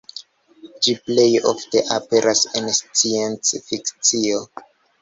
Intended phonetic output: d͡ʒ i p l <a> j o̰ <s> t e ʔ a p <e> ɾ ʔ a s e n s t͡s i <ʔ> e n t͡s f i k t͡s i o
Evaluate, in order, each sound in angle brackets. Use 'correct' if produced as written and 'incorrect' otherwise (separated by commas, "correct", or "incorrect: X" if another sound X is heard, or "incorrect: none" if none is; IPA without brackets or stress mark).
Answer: incorrect: e, incorrect: f, correct, incorrect: none